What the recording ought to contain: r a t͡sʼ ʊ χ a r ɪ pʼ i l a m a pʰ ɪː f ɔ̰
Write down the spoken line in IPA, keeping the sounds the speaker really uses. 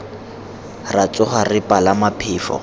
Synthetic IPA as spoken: r a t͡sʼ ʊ χ a r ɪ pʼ a l a m a pʰ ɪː f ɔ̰